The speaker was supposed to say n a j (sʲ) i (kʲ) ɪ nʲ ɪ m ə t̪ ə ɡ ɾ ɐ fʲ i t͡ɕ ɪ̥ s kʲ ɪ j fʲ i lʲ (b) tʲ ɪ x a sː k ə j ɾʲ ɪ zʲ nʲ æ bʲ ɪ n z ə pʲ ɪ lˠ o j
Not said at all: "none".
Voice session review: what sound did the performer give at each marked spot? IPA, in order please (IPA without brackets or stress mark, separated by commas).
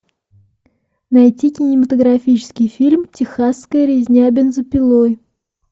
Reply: tʲ, kʲ, m